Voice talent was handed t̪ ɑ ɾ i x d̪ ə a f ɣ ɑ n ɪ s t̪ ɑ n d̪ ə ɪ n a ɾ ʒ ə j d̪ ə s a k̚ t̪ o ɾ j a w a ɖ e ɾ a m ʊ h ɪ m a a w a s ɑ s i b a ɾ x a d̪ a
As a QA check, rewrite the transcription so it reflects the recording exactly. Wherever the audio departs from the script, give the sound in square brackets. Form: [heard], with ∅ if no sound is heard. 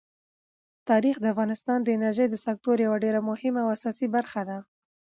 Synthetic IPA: t̪ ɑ ɾ i x d̪ ə a f ɣ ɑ n ɪ s t̪ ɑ n d̪ ə ɪ n a ɾ ʒ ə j d̪ ə s a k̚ t̪ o ɾ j a w a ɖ e ɾ a m ʊ h ɪ m a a w a s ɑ s i b a ɾ x a d̪ a